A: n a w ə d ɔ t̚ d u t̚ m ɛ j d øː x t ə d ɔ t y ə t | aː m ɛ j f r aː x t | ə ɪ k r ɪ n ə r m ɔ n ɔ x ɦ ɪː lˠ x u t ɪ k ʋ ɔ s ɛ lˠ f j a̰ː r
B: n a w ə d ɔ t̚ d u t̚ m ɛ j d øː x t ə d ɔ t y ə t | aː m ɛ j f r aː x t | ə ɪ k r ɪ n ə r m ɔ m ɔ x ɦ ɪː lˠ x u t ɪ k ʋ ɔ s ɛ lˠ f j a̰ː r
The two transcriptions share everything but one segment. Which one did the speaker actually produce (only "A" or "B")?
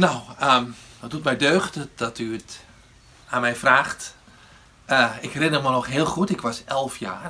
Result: A